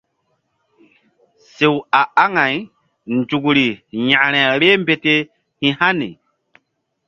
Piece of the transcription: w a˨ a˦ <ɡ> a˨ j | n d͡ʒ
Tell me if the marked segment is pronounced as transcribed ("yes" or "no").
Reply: no